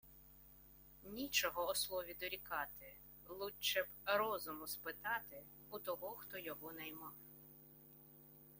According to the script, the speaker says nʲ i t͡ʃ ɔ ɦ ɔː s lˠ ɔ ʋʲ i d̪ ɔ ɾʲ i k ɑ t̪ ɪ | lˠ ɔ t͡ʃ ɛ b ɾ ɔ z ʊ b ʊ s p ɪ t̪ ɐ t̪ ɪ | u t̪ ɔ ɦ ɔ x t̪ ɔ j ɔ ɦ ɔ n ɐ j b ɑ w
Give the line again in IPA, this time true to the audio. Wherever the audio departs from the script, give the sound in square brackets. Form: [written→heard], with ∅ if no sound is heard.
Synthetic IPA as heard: nʲ i t͡ʃ ɔ ɦ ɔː s lˠ ɔ ʋʲ i d̪ ɔ ɾʲ i k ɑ t̪ ɪ | lˠ [ɔ→u] t͡ʃ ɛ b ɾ ɔ z ʊ [b→m] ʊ s p ɪ t̪ [ɐ→ɑ] t̪ ɪ | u t̪ ɔ ɦ ɔ x t̪ ɔ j ɔ ɦ ɔ n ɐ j [b→m] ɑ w

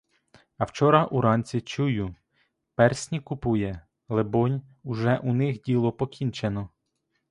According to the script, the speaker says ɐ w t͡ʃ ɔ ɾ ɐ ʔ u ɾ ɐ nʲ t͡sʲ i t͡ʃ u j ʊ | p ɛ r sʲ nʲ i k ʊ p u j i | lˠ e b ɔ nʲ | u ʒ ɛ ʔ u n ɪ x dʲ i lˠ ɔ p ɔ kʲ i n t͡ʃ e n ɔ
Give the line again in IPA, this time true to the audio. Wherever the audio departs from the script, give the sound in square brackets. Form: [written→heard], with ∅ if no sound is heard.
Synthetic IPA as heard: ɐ w t͡ʃ ɔ ɾ ɐ ʔ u ɾ [ɐ→ɑ] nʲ t͡sʲ i t͡ʃ u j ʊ | p ɛ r sʲ nʲ i k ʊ p u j [i→ɛ] | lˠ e b ɔ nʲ | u ʒ ɛ ʔ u n ɪ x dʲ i lˠ ɔ p ɔ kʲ i n t͡ʃ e n ɔ

